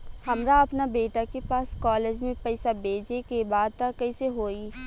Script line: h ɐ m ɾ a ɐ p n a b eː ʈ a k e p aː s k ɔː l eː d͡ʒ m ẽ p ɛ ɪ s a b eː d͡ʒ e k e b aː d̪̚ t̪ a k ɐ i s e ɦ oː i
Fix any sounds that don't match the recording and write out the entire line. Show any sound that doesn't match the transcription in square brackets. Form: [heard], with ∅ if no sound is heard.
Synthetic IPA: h ɐ m ɾ a ɐ p n a b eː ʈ a k e p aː s k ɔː l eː d͡ʒ m ẽ p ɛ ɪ s a b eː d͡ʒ e k e b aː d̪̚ t̪ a k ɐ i s e ɦ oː i